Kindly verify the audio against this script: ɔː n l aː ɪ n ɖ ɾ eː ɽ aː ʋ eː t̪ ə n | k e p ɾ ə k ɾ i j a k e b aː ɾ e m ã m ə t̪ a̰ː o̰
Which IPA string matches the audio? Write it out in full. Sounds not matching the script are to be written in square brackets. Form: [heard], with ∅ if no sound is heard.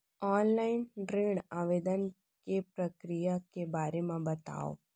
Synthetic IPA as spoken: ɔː n l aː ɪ n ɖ ɾ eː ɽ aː ʋ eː [d̪] ə n | k e p ɾ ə k ɾ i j a k e b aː ɾ e m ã [b] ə t̪ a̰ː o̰